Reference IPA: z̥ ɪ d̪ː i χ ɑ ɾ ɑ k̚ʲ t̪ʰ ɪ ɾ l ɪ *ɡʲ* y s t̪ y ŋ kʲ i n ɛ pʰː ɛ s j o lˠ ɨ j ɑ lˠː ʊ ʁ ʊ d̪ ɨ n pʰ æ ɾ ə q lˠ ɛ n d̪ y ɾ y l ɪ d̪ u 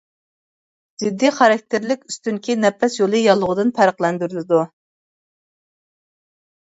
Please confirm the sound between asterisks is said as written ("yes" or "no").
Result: no